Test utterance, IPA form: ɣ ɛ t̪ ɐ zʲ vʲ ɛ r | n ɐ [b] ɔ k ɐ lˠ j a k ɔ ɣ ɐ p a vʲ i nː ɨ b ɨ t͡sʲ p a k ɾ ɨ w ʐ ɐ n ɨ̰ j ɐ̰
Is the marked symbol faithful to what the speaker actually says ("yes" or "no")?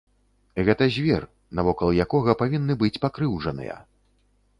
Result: no